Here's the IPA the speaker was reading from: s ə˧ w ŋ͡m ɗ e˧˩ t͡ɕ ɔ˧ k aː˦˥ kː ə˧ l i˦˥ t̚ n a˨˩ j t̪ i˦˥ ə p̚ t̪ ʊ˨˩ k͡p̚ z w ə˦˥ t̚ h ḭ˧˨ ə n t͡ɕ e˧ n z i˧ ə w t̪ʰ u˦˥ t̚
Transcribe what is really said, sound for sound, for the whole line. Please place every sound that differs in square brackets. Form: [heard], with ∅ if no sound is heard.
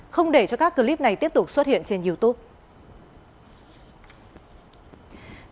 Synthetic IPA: [x] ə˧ w ŋ͡m ɗ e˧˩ t͡ɕ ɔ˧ k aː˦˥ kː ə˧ l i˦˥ [p̚] n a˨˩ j t̪ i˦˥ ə p̚ t̪ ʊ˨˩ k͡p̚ [s] w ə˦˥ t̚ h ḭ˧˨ ə n t͡ɕ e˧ n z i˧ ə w [t̪] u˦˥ [p̚]